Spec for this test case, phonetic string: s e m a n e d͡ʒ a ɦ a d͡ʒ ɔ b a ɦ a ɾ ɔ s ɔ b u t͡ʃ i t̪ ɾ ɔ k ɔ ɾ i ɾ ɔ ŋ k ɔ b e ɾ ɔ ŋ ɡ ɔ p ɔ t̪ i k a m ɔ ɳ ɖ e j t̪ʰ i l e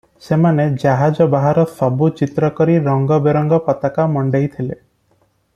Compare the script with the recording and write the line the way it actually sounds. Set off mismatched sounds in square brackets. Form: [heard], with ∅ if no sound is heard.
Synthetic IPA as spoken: s e m a n e d͡ʒ a ɦ a d͡ʒ ɔ b a ɦ a ɾ ɔ s ɔ b u t͡ʃ i t̪ ɾ ɔ k ɔ ɾ i ɾ ɔ ŋ [ɡ] ɔ b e ɾ ɔ ŋ ɡ ɔ p ɔ t̪ [a] k a m ɔ ɳ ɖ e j t̪ʰ i l e